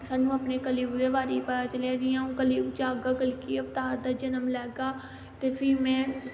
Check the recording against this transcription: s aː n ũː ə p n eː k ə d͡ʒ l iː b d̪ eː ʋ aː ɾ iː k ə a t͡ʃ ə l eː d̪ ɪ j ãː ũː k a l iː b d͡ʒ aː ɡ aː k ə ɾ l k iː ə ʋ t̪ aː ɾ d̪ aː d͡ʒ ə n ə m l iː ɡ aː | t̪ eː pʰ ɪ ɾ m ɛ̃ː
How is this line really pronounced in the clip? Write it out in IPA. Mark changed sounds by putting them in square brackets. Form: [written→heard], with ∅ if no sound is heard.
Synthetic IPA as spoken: s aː n ũː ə p n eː k ə [d͡ʒ→∅] l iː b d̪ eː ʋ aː ɾ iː [k→p] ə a t͡ʃ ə l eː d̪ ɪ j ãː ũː k [a→ə] l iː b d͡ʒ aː ɡ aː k ə [ɾ→∅] l k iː ə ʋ t̪ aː ɾ d̪ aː d͡ʒ ə n ə m l [iː→ɛː] ɡ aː | t̪ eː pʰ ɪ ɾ m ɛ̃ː